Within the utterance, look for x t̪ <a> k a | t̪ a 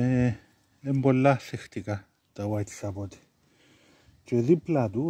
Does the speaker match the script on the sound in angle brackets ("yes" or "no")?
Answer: no